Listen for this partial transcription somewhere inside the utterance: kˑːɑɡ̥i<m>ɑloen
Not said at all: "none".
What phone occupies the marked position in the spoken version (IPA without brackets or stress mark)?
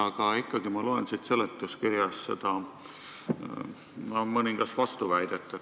m